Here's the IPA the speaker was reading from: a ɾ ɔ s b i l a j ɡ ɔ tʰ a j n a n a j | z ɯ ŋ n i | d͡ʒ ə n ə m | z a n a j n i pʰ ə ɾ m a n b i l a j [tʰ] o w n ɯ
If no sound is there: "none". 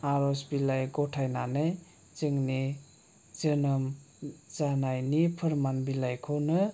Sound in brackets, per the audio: kʰ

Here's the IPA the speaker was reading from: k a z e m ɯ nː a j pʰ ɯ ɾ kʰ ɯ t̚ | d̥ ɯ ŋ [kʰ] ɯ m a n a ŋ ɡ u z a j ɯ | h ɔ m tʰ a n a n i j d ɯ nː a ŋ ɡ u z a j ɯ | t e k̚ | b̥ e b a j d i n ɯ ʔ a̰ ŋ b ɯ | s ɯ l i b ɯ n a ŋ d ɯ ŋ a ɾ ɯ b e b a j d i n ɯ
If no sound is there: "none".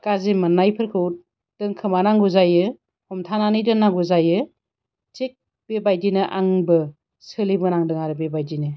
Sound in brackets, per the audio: kʰ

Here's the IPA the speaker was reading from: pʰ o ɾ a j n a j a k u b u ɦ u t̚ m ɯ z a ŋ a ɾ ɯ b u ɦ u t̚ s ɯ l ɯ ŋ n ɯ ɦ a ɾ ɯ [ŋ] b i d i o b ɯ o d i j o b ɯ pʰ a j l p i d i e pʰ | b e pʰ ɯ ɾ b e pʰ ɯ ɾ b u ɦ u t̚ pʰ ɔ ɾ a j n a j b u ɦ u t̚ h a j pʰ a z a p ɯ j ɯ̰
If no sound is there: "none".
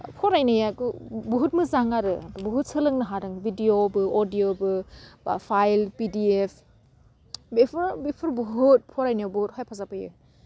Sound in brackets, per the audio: ŋ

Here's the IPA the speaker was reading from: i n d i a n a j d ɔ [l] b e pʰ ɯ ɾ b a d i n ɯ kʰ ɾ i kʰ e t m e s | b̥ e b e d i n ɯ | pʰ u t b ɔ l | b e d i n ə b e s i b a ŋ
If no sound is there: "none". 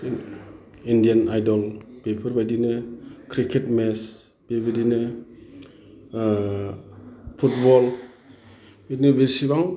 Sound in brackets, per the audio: l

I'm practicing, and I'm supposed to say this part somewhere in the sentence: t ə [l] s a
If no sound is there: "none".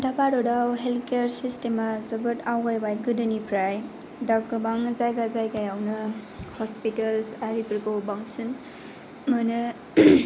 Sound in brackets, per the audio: l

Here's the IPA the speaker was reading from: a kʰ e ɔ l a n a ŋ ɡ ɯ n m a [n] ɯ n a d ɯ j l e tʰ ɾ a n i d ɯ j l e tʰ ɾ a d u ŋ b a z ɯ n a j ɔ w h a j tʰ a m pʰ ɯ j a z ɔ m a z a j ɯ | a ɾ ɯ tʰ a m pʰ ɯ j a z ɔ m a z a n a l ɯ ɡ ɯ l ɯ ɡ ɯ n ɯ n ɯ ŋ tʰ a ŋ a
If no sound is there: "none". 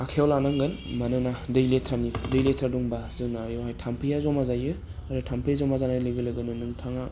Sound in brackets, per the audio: n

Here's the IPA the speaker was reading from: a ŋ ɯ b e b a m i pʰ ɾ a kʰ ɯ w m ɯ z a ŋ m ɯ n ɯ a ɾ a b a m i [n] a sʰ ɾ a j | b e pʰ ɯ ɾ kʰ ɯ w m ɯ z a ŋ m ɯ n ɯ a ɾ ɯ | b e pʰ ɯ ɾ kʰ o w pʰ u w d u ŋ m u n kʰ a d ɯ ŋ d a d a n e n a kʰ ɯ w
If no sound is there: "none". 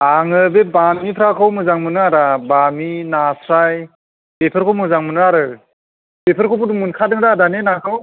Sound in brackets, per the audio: n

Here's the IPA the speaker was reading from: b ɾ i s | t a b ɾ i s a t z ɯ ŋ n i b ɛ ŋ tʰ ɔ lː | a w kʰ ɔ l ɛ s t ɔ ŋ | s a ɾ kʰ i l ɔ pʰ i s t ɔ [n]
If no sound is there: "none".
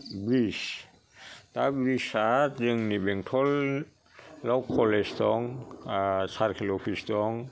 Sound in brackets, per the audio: ŋ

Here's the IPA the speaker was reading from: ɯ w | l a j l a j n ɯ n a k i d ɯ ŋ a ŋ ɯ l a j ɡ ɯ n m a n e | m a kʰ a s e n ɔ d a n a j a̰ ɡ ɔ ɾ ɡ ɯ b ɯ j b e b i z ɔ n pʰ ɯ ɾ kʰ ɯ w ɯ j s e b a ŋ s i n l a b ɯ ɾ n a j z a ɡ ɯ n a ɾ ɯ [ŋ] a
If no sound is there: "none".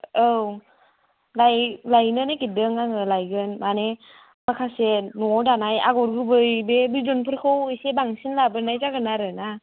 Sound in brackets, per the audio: n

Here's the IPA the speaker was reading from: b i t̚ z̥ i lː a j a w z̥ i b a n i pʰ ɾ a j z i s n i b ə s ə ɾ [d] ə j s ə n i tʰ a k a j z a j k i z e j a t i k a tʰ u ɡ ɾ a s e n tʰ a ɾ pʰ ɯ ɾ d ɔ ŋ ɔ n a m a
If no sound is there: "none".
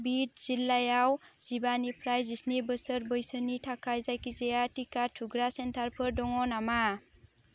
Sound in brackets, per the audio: b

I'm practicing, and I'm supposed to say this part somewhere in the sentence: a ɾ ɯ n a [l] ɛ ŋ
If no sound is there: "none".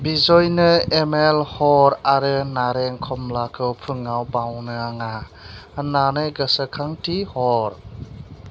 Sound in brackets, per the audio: ɾ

